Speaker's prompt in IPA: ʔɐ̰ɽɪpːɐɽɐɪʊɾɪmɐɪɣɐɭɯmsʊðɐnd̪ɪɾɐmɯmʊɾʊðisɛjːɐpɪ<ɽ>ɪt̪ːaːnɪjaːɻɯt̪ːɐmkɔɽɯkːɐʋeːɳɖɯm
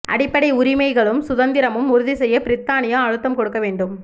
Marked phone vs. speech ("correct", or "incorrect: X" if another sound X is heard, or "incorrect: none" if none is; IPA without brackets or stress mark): incorrect: ɾ